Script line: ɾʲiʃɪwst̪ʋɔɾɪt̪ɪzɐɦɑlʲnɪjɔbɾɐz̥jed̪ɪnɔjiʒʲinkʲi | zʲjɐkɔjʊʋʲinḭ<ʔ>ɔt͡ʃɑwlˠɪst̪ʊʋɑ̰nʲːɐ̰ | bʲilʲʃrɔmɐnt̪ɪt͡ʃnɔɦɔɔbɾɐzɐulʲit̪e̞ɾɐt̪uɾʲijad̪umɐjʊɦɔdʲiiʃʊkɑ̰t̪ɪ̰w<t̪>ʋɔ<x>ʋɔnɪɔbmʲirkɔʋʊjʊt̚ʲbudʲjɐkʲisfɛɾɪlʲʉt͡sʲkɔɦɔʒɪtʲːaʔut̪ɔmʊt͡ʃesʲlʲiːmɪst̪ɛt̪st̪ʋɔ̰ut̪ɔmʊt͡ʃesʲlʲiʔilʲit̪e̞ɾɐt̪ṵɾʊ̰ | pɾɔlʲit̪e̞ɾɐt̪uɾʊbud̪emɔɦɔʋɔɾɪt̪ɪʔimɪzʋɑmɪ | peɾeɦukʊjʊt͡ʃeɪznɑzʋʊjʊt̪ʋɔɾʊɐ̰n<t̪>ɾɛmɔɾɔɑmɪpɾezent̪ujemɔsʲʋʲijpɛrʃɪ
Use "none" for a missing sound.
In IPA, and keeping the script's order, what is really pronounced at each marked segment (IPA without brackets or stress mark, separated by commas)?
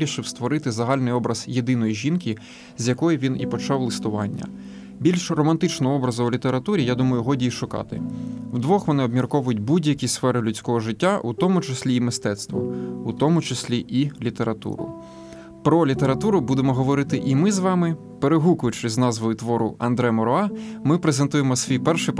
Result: p, d̪, x, d̪